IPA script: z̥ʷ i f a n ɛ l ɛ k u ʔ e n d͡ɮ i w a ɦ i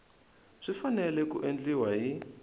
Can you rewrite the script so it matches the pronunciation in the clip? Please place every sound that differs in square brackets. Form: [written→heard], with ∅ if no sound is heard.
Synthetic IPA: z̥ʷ i f a n ɛ l ɛ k u ʔ e n d͡ɮ i w a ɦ i